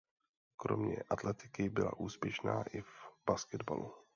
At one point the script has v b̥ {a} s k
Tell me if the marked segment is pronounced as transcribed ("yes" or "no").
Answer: yes